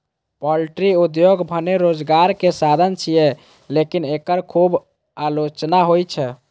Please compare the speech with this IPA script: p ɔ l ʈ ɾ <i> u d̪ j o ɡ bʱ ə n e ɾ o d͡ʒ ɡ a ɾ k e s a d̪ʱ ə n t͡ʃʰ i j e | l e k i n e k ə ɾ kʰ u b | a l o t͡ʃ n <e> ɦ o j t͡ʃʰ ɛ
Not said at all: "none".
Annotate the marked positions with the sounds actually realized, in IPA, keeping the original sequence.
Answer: i, a

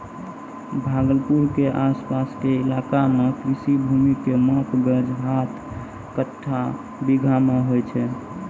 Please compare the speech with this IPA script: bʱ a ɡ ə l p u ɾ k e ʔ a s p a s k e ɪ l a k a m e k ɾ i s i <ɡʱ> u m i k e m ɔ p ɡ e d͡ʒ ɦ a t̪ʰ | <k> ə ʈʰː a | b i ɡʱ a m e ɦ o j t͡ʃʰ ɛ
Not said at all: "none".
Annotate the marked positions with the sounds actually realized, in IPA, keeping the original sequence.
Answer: bʱ, k

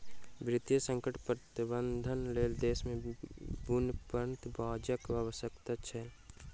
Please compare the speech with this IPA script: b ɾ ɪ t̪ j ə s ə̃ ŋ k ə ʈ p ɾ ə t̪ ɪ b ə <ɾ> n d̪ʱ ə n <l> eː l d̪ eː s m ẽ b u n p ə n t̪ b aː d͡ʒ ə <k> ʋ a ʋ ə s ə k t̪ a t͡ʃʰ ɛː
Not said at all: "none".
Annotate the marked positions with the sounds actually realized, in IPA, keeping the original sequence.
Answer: none, l, k

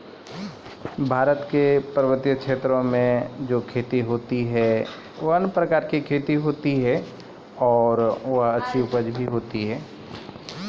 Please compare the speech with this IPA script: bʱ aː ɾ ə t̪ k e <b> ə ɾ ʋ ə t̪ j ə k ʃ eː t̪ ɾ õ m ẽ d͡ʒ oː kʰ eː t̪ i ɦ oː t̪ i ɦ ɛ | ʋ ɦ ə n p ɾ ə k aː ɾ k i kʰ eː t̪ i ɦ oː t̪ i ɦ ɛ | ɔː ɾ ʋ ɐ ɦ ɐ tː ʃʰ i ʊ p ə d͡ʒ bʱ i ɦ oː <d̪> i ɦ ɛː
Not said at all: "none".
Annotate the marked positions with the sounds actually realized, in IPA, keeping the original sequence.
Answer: p, t̪

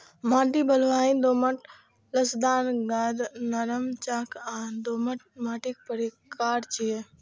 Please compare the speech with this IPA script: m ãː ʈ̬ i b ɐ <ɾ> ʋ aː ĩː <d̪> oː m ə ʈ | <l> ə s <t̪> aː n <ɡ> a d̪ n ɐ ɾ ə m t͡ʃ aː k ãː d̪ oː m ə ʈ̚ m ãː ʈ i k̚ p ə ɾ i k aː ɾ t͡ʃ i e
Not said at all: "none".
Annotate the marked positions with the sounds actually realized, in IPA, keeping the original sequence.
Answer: l, d̪, l, d̪, ɡ

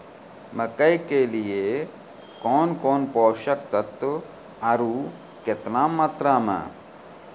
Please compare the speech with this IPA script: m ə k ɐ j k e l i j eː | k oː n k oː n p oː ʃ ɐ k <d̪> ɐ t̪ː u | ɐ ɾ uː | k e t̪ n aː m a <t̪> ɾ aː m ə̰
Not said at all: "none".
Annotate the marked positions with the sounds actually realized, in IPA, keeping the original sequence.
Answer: t̪, t̪

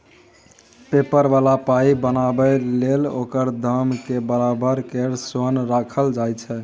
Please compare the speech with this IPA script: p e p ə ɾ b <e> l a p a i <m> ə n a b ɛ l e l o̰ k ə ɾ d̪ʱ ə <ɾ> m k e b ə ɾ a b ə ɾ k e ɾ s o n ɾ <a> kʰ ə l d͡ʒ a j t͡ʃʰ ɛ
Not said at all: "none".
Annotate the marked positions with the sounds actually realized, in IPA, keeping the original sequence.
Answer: a, b, none, a

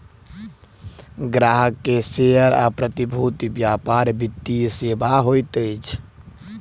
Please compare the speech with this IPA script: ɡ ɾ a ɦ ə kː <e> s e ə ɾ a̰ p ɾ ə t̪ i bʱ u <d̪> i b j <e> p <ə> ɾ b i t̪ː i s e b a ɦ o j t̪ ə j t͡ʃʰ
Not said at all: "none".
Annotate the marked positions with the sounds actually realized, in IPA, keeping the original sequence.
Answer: e, t̪, a, a

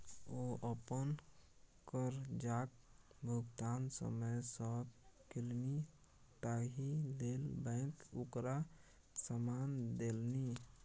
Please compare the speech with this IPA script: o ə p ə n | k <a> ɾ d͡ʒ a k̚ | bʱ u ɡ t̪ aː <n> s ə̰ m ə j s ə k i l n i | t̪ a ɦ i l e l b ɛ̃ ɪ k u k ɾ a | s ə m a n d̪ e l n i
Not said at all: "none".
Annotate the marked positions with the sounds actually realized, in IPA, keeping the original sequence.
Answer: ə, n

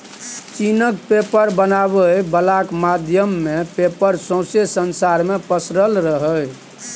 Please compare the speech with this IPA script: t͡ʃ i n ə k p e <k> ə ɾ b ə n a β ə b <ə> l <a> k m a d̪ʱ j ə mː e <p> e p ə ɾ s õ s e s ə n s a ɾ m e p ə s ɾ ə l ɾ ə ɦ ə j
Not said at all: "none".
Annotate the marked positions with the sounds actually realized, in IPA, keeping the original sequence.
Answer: p, ə, a, p

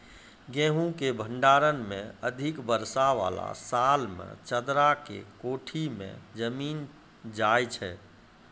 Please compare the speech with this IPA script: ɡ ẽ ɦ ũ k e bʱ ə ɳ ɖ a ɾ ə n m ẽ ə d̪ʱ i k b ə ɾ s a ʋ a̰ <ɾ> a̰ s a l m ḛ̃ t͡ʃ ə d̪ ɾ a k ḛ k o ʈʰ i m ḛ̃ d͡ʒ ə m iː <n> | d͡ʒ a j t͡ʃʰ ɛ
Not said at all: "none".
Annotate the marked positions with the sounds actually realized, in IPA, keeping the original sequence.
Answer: l, n

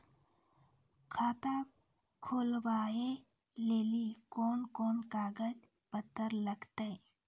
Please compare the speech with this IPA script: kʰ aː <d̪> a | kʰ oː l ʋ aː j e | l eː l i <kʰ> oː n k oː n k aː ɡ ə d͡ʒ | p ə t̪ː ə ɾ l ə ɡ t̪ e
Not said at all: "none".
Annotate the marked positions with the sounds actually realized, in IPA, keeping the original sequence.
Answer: t̪, k

